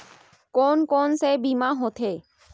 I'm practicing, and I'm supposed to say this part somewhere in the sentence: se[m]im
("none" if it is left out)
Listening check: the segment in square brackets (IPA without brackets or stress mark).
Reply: b